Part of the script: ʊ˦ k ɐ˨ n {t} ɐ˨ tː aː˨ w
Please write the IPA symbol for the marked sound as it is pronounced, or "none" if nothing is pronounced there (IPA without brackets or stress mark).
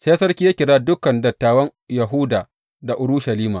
d